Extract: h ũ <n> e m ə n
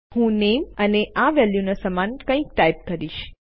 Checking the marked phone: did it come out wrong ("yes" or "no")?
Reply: no